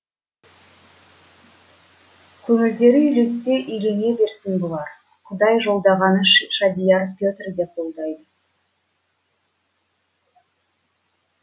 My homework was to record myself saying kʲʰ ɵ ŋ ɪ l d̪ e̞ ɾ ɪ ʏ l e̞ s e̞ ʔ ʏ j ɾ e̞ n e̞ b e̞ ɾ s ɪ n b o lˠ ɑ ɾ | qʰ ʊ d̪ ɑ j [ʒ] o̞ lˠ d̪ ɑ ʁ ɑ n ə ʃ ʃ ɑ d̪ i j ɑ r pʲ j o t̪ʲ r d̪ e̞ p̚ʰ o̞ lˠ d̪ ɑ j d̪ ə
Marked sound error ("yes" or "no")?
no